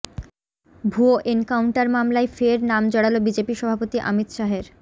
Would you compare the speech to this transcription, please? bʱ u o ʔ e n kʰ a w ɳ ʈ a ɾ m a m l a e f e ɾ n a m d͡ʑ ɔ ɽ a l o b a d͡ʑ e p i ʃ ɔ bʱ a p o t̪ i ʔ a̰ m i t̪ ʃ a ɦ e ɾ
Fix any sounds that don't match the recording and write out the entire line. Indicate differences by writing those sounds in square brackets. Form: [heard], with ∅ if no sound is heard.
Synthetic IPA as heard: bʱ u o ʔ e n [k] a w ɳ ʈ a ɾ m a m l a e f e ɾ n a m d͡ʑ ɔ ɽ a l o b [i] d͡ʑ e p i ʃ ɔ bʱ a p o t̪ i ʔ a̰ m i t̪ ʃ a ɦ e ɾ